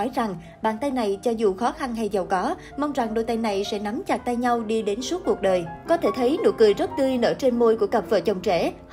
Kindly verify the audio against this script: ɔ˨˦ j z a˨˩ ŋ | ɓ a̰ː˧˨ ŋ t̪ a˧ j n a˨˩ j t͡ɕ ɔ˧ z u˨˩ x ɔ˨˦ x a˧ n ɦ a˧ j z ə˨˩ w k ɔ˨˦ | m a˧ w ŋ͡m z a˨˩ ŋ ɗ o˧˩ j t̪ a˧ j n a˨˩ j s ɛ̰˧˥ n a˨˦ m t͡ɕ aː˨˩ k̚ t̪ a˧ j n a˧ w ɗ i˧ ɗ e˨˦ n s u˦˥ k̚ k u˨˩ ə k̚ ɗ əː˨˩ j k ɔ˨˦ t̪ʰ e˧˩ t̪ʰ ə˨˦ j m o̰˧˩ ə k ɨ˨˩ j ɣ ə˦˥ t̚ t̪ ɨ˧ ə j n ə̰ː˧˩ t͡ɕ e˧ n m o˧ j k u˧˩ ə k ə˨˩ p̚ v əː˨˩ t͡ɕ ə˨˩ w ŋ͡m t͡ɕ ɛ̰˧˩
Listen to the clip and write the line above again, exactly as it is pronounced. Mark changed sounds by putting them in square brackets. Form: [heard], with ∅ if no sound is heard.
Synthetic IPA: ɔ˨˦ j z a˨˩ ŋ | ɓ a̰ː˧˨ [n] t̪ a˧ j n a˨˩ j t͡ɕ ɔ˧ z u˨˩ x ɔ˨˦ x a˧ n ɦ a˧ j z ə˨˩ w k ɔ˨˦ | m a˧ w ŋ͡m z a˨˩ ŋ ɗ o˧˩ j t̪ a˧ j n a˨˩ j s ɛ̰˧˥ n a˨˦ m t͡ɕ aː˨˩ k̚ t̪ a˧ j [ɲ] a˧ w ɗ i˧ ɗ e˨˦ n s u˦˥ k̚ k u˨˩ ə k̚ ɗ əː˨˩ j k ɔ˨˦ t̪ʰ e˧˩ t̪ʰ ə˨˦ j [n] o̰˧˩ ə k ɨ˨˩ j [z] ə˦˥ t̚ t̪ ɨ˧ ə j n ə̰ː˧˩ t͡ɕ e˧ n m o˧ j k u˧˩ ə k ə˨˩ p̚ v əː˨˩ t͡ɕ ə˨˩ w ŋ͡m t͡ɕ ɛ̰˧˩